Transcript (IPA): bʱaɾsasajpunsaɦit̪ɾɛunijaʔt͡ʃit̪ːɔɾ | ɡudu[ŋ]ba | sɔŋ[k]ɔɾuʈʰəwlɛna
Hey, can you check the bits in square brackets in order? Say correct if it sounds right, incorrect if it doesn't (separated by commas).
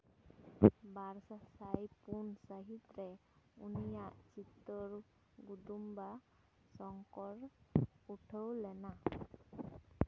incorrect, correct